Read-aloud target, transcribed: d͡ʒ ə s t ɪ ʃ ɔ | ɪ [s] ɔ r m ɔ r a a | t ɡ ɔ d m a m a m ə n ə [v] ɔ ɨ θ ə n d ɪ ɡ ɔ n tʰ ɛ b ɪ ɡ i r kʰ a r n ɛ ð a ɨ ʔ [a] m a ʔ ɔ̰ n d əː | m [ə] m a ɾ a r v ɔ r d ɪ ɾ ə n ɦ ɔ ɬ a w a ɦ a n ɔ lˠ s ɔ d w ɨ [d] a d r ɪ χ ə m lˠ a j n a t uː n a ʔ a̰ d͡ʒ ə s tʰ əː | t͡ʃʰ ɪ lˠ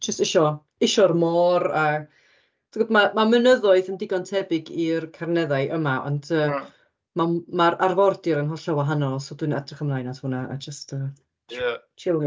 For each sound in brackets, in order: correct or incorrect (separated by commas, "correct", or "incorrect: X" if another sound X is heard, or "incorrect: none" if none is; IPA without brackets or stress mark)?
incorrect: ʃ, incorrect: ð, incorrect: ə, incorrect: a, incorrect: n